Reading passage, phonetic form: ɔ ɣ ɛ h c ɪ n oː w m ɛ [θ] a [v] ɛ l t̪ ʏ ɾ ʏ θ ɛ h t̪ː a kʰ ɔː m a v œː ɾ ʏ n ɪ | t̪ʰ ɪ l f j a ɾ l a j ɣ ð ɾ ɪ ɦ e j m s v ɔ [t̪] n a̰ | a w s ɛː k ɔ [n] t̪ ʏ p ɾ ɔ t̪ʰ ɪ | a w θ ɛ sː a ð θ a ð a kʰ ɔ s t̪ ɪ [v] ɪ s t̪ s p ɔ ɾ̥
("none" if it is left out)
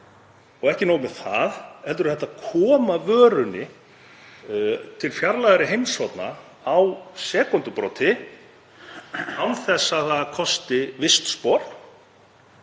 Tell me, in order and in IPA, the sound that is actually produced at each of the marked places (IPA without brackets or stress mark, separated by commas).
θ, ð, t̪, n, v